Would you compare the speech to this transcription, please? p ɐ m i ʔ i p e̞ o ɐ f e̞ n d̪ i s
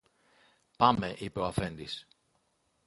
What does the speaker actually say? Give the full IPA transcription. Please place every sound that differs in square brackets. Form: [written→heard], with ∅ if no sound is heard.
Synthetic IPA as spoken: p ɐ m [i→e] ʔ i p e̞ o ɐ f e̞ n d̪ i s